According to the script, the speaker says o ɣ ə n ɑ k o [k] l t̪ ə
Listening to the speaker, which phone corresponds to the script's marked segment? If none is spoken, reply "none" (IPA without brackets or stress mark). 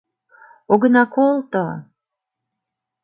none